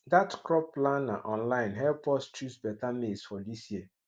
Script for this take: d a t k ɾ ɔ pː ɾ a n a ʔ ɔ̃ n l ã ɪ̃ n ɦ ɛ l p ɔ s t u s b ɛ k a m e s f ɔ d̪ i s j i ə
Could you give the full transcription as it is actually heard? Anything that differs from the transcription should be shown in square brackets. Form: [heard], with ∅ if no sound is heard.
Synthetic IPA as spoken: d a t k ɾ ɔ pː [l] a n a ʔ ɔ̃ n l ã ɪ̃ n ɦ ɛ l p ɔ s [t͡ʃ] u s b ɛ [t] a m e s f ɔ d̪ i s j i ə